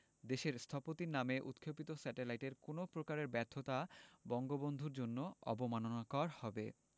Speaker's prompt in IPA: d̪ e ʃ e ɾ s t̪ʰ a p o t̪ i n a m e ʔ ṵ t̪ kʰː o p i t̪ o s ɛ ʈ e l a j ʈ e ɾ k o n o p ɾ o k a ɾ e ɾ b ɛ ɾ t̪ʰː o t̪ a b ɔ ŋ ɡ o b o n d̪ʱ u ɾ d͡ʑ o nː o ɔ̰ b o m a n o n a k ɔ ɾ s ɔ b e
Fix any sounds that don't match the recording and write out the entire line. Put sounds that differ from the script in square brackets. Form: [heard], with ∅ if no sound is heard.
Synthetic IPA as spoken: d̪ e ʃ e ɾ s t̪ʰ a p o t̪ i n a m e ʔ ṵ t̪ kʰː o p i t̪ o s ɛ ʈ e l a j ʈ e ɾ k o n o p ɾ o k a ɾ e ɾ b ɛ ɾ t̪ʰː o t̪ a b ɔ ŋ ɡ o b o n d̪ʱ u ɾ d͡ʑ o nː o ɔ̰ b o m a n o n a k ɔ ɾ [h] ɔ b e